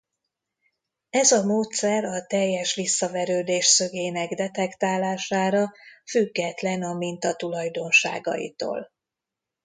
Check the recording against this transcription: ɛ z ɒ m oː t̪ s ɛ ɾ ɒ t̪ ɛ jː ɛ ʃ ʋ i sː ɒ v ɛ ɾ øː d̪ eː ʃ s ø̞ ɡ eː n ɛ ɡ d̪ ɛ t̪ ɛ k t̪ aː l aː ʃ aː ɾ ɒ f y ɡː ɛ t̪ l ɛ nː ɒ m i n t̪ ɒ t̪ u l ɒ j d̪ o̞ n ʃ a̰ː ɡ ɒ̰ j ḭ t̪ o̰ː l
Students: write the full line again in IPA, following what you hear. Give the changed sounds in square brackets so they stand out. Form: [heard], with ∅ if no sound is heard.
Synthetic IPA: ɛ z ɒ m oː t̪ s ɛ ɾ ɒ t̪ ɛ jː ɛ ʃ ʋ i sː ɒ v ɛ ɾ øː d̪ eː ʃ s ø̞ ɡ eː n ɛ ɡ d̪ ɛ t̪ ɛ k t̪ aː l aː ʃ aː ɾ ɒ f y ɡː ɛ t̪ l ɛ [n] ɒ m i n t̪ ɒ t̪ u l ɒ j d̪ o̞ n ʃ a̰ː ɡ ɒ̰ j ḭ t̪ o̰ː l